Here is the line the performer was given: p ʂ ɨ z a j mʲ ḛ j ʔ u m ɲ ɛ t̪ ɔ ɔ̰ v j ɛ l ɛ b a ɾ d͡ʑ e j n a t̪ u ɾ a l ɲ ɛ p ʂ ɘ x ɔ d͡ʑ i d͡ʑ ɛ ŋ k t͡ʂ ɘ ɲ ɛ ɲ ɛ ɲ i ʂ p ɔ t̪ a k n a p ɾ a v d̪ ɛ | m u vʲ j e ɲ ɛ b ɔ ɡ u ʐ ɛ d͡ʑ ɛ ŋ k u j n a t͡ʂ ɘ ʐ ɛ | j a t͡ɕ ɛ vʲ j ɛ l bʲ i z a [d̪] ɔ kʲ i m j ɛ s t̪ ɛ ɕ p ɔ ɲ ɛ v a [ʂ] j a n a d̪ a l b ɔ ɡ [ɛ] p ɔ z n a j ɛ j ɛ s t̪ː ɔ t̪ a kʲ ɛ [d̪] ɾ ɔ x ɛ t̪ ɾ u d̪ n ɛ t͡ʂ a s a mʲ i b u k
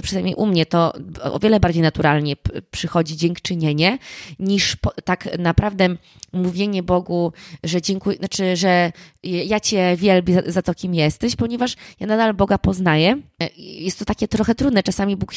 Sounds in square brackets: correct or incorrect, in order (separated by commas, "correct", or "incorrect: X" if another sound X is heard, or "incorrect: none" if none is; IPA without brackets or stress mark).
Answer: incorrect: t̪, correct, incorrect: a, incorrect: t̪